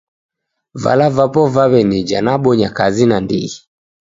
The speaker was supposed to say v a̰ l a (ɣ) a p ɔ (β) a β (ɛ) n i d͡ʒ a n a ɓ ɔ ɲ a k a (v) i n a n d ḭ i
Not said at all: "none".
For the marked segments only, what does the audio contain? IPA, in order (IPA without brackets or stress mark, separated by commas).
v, v, ɛ, z